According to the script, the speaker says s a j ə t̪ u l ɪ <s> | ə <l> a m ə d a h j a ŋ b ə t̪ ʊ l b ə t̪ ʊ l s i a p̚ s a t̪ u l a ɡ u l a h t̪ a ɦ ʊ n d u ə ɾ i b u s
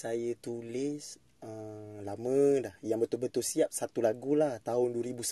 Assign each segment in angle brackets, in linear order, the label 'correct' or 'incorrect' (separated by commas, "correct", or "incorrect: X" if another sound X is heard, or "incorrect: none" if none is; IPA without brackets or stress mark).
correct, correct